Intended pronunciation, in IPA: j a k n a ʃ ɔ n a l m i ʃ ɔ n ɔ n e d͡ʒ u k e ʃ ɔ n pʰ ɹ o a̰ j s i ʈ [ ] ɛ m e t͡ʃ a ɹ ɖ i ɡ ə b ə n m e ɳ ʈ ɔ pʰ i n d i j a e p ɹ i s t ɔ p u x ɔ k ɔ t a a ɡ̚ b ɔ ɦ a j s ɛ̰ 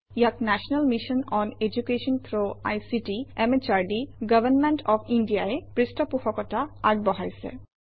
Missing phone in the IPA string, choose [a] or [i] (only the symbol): i